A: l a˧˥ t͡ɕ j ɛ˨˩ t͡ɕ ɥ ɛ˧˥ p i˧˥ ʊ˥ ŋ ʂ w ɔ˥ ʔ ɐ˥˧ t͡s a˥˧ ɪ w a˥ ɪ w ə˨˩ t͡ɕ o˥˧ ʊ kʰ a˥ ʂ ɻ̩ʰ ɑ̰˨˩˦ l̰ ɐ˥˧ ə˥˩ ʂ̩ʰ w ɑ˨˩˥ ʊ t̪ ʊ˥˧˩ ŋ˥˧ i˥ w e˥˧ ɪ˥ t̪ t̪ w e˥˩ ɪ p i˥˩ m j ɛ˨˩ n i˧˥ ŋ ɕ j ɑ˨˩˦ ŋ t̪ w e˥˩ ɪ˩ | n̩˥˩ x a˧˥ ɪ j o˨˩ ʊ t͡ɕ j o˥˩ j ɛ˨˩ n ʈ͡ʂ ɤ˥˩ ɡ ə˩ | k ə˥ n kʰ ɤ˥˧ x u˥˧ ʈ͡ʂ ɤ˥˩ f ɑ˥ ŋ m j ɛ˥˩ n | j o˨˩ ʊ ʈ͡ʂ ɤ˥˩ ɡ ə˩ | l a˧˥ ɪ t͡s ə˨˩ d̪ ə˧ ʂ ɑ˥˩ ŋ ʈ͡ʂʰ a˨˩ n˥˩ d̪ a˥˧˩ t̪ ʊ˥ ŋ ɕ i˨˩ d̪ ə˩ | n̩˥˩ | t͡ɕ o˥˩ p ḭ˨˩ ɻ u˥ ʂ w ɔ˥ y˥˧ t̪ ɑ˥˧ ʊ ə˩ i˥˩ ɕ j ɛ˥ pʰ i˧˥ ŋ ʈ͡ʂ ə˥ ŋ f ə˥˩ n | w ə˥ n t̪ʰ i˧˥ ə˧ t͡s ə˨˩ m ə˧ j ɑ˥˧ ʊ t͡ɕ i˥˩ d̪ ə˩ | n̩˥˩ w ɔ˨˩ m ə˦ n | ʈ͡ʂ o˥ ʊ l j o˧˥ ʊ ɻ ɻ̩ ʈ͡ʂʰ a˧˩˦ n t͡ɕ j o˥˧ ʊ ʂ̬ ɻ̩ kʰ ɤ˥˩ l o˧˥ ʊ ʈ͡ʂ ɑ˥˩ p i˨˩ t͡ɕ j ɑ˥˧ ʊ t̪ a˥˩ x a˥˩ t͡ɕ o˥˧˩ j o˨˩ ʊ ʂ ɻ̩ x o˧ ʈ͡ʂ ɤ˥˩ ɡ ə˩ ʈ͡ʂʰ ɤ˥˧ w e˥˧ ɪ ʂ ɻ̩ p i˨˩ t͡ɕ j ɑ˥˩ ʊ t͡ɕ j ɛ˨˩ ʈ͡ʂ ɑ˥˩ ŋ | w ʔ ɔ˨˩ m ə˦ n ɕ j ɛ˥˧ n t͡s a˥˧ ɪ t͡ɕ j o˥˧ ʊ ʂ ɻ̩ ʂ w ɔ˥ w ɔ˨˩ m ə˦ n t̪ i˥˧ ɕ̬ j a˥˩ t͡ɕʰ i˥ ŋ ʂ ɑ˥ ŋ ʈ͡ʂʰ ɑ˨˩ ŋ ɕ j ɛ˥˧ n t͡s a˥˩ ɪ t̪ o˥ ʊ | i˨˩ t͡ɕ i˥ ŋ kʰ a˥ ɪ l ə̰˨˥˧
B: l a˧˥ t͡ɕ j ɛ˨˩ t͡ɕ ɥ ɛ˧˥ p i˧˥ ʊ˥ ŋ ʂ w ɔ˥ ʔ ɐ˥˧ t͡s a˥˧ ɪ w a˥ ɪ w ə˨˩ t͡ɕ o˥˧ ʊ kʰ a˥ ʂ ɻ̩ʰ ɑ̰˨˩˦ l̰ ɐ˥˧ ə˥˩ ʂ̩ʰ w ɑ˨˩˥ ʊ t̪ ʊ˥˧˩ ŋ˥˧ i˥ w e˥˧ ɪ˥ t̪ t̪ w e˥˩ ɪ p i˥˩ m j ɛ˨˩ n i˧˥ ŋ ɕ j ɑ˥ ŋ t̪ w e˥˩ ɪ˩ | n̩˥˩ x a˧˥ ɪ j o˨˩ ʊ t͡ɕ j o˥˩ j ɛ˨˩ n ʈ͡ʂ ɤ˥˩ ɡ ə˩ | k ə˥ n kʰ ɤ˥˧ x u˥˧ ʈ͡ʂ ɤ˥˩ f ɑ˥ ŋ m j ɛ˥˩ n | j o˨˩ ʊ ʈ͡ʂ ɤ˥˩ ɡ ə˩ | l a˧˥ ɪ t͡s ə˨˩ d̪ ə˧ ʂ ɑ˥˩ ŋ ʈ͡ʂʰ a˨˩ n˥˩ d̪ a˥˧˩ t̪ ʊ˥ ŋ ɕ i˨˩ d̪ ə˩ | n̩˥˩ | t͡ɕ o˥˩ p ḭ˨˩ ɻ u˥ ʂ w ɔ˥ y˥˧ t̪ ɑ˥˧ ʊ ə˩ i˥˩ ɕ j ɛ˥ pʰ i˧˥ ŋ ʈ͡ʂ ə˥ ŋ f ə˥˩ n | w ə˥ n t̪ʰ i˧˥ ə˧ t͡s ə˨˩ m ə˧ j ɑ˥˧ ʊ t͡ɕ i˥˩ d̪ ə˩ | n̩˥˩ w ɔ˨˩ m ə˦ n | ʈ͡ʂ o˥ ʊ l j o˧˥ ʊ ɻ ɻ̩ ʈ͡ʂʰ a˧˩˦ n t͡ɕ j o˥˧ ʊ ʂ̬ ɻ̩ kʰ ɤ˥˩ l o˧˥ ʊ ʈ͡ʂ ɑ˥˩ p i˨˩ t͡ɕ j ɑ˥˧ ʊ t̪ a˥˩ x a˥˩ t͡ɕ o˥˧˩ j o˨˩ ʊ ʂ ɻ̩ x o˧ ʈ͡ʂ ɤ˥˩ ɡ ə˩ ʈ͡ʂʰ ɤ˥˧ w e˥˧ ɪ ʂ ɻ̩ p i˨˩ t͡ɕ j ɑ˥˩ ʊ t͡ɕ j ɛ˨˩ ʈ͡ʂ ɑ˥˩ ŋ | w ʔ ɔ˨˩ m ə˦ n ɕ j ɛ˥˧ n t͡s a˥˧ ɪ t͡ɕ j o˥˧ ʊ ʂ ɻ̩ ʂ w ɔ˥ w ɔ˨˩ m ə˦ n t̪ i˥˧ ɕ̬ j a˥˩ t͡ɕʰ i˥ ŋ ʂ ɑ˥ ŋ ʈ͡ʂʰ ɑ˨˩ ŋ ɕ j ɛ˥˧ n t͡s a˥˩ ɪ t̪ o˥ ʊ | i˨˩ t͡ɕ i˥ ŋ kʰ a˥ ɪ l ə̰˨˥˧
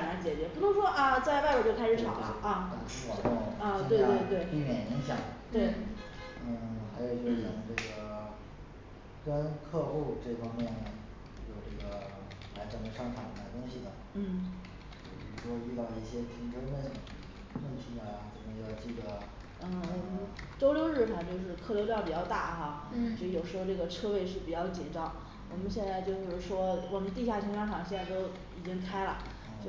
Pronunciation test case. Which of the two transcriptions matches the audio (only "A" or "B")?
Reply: A